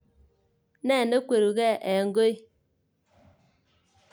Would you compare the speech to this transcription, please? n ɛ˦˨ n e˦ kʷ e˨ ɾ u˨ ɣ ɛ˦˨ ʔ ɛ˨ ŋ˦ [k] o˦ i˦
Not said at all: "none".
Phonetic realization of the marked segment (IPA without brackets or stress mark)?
ɡ